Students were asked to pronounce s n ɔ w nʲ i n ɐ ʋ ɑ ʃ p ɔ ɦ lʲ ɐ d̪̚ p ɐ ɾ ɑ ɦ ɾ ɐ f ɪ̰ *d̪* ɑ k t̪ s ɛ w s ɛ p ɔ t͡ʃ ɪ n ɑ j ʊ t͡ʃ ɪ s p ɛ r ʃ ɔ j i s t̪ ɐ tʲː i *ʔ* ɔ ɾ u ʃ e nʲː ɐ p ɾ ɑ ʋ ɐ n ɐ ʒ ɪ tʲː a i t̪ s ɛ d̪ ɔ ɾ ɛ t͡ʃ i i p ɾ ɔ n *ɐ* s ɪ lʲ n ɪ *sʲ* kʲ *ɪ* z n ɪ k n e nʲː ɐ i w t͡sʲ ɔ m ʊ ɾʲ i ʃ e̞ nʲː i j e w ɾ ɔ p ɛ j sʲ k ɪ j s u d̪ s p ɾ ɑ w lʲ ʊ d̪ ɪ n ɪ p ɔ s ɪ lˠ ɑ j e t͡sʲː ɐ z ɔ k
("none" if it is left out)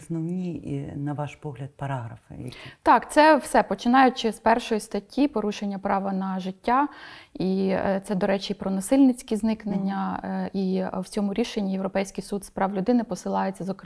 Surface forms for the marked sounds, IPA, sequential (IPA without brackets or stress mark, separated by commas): t̪, p, ɐ, t͡sʲ, i